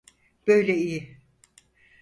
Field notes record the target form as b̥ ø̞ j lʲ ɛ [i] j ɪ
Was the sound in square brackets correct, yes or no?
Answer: yes